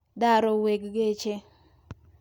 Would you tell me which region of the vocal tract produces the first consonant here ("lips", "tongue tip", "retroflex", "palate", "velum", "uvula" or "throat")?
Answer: tongue tip